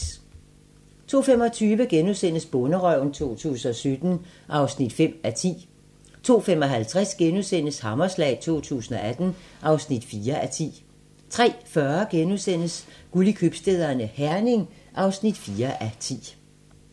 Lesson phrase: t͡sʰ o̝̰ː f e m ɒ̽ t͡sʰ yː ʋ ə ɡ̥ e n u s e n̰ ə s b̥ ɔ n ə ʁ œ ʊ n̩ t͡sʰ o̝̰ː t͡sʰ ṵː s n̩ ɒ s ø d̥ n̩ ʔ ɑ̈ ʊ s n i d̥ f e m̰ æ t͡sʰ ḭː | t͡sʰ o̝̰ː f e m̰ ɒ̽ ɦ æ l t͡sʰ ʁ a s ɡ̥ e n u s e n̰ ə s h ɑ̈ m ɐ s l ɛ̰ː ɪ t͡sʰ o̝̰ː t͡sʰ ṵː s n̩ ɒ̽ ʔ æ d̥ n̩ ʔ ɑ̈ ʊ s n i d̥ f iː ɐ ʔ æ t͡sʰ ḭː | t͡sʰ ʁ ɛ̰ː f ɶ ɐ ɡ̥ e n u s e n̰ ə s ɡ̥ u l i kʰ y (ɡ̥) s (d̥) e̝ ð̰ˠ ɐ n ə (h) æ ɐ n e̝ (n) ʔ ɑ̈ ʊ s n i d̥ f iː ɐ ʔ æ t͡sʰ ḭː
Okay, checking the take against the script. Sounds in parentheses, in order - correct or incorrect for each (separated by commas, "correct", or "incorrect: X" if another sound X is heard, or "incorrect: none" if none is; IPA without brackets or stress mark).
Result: incorrect: b̥, correct, correct, incorrect: ŋ